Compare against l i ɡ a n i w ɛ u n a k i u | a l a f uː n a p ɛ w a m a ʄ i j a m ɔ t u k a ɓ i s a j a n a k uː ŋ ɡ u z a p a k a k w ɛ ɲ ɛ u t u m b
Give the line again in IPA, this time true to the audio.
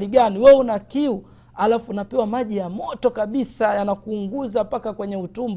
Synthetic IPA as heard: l i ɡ a n i w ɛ u n a k i u | a l a f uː n a p ɛ w a m a ʄ i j a m ɔ t ɔ k a ɓ i s a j a n a k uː ŋ ɡ u z a p a k a k w ɛ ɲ ɛ u t u m b